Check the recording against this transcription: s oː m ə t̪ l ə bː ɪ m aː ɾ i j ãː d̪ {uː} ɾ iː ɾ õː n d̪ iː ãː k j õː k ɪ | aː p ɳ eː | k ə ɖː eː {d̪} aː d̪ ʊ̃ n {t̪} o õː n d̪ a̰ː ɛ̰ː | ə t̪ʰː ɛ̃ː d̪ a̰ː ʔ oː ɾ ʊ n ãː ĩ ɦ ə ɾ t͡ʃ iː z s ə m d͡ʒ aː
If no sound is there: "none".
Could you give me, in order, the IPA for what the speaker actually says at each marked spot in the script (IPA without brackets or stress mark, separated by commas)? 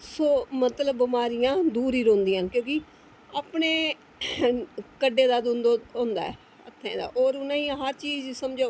uː, d̪, d̪